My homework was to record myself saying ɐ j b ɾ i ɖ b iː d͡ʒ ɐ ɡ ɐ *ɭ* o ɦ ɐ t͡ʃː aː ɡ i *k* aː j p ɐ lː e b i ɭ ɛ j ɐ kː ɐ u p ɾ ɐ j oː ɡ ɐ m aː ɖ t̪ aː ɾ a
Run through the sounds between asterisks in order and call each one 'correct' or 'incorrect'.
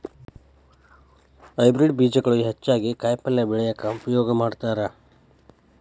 correct, correct

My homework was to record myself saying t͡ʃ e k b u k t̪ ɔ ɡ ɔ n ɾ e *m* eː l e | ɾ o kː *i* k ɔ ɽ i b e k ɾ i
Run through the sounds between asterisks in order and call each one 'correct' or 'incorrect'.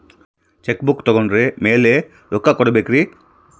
correct, incorrect

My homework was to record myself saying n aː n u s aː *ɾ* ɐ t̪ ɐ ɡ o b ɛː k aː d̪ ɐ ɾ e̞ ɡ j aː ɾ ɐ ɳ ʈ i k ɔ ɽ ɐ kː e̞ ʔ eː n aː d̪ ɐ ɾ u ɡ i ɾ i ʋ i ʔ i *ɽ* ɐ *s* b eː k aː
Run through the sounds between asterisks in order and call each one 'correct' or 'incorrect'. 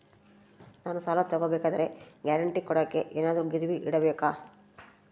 incorrect, correct, incorrect

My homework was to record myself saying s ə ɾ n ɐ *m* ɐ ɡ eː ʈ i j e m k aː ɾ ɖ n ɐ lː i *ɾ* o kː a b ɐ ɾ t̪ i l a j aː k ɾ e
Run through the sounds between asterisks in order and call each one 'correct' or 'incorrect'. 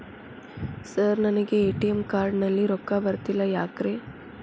incorrect, correct

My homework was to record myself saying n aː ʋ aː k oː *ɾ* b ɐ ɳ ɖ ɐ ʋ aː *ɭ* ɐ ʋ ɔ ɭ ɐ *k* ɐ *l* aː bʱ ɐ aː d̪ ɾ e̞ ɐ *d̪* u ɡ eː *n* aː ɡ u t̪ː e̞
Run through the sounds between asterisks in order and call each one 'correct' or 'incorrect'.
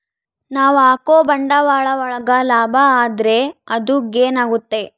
incorrect, correct, incorrect, correct, correct, correct

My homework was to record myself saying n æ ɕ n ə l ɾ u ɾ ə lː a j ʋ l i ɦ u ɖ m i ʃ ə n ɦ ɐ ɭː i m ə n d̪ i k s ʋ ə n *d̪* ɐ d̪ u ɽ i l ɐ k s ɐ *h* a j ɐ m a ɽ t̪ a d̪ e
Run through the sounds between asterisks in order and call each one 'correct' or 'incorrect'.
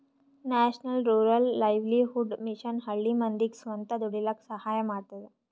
incorrect, correct

